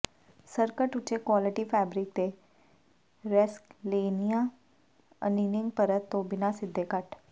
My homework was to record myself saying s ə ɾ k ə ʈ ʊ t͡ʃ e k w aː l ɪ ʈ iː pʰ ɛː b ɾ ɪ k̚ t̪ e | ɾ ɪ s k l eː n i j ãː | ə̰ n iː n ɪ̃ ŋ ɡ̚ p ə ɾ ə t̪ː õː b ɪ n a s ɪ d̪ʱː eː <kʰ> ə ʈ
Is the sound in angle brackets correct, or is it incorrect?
incorrect